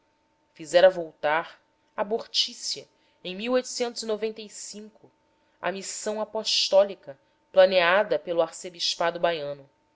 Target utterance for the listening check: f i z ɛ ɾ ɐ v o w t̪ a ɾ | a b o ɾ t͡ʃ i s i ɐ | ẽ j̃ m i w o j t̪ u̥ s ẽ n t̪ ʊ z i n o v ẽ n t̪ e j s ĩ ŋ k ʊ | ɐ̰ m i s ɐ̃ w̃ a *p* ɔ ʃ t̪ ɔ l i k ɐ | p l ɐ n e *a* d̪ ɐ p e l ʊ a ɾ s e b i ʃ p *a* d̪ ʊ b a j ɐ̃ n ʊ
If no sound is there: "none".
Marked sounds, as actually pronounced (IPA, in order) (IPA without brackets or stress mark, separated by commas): p, a, a